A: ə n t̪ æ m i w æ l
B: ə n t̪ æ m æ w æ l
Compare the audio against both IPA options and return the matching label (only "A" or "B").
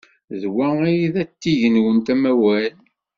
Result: B